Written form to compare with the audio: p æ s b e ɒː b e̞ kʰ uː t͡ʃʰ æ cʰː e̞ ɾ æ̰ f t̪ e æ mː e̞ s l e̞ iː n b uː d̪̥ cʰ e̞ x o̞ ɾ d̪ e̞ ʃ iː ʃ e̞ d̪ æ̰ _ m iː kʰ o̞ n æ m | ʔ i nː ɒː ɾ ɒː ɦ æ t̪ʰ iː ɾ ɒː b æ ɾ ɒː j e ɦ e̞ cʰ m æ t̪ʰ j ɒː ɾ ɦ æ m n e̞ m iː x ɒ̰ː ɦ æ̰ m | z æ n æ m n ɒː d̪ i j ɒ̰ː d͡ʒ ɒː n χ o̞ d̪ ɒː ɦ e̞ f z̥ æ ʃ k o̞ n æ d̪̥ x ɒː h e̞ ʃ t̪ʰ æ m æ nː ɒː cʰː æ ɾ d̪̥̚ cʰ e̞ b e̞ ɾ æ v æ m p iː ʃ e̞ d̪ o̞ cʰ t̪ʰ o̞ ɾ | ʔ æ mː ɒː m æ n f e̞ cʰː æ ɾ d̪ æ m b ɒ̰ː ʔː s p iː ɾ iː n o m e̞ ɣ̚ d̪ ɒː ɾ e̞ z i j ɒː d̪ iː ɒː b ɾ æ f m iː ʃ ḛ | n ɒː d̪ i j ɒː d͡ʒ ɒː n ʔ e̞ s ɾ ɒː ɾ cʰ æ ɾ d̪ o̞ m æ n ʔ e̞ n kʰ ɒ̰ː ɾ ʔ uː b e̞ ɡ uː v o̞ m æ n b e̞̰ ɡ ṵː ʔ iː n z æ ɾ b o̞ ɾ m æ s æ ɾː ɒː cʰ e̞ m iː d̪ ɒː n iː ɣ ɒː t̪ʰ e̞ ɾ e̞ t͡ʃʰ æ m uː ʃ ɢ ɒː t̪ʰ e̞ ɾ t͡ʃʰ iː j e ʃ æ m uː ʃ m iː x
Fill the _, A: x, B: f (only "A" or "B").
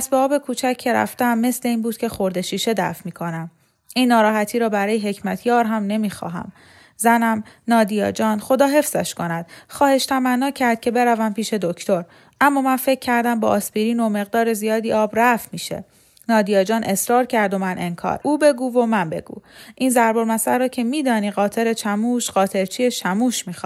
B